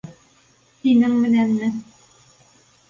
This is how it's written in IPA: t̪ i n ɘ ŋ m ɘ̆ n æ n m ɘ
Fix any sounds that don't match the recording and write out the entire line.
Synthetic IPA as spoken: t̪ i n ɘ ŋ m ɘ̆ n æ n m ɘ